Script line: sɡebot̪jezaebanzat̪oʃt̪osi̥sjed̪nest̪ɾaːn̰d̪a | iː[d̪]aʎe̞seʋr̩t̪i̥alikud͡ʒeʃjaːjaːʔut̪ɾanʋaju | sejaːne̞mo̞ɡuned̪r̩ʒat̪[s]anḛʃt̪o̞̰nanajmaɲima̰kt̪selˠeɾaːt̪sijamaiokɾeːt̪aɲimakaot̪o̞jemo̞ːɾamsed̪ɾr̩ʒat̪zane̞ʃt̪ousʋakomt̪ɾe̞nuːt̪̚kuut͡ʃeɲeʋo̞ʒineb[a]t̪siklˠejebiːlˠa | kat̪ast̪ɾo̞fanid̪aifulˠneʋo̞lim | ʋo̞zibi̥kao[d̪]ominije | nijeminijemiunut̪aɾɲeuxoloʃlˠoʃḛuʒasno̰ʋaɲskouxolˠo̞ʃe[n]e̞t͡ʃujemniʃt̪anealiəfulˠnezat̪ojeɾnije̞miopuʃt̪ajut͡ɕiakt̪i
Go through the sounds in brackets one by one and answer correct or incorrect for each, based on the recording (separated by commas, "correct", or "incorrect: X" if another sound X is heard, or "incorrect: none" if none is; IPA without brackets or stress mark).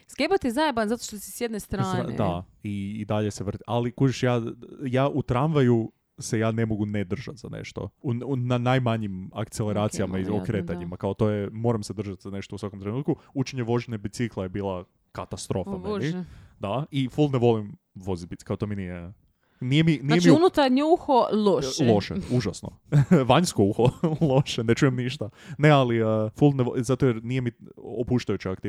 correct, incorrect: z, incorrect: i, incorrect: t̪, correct